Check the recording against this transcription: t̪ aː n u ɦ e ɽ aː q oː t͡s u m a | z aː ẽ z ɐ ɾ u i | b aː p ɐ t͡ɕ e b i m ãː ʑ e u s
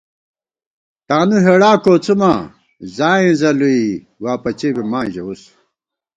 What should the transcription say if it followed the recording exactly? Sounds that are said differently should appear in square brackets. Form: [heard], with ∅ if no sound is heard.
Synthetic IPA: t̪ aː n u ɦ e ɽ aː [k] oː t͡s u m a | z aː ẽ z ɐ [l] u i | [w] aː p ɐ t͡ɕ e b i m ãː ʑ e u s